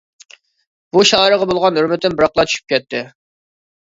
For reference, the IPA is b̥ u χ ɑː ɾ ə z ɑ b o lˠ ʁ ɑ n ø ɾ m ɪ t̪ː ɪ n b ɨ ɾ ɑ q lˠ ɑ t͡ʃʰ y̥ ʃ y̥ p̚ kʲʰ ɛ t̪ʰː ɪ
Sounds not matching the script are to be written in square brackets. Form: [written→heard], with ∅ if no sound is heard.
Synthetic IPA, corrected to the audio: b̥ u [χ→ʃ] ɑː ɾ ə [z→ʁ] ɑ b o lˠ ʁ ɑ n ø ɾ m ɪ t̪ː ɪ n b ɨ ɾ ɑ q lˠ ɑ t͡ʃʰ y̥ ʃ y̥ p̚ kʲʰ ɛ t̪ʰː ɪ